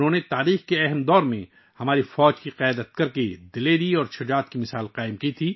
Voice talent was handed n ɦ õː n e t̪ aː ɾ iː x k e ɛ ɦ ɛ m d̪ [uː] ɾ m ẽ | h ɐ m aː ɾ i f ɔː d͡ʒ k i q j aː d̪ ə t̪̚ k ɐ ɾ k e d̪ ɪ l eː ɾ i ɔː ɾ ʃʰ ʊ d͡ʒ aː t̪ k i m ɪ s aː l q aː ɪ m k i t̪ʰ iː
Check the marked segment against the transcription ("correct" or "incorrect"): incorrect